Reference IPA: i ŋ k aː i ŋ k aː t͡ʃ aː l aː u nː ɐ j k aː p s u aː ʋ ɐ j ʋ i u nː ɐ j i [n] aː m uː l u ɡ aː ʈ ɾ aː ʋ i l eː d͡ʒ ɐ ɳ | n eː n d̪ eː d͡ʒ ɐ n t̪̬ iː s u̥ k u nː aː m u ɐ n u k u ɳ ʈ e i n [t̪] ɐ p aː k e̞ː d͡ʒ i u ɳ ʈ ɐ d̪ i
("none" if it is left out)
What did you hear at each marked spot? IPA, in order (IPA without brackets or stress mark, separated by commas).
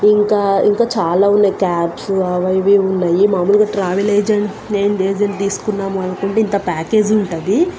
m, t̪